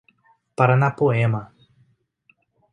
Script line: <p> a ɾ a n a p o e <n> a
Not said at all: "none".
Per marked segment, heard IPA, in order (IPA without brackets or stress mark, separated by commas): p, m